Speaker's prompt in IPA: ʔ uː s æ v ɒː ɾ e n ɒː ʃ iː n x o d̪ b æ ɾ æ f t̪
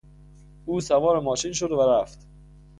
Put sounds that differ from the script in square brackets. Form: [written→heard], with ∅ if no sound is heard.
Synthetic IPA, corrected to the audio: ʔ uː s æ v ɒː ɾ e [n→m] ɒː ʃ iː n [x→ʃ] o d̪ [b→v] æ ɾ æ f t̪